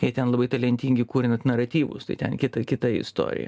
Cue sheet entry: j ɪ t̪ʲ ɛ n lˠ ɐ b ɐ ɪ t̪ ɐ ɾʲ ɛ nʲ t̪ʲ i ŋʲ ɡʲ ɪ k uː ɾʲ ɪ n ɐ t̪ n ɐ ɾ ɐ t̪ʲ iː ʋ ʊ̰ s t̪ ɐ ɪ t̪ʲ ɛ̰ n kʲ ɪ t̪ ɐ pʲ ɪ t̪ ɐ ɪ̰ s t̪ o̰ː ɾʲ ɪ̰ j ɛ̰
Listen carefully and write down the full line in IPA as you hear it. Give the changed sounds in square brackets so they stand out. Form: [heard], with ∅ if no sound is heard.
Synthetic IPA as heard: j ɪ t̪ʲ ɛ n lˠ ɐ b ɐ ɪ t̪ ɐ [lʲ] ɛ nʲ t̪ʲ i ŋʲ ɡʲ ɪ k uː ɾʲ ɪ n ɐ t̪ n ɐ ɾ ɐ t̪ʲ iː ʋ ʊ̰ s t̪ ɐ ɪ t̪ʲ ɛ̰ n kʲ ɪ t̪ ɐ [kʲ] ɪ t̪ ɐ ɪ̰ s t̪ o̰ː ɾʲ ɪ̰ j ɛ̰